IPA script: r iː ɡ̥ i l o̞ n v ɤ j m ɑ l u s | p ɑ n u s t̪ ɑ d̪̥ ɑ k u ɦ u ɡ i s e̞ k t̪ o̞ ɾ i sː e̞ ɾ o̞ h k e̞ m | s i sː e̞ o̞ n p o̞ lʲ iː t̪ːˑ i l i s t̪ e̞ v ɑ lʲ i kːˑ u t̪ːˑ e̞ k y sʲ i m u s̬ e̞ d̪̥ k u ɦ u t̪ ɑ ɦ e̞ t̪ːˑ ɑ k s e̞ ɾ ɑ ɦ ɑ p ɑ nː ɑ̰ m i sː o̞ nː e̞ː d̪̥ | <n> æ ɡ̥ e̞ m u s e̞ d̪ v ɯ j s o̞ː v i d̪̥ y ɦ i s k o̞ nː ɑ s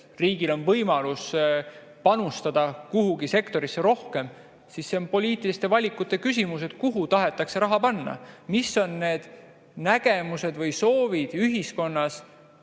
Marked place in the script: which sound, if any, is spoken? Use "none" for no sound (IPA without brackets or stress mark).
n